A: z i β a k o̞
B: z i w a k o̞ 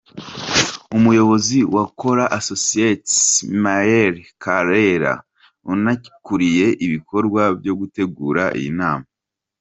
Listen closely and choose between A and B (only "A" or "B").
B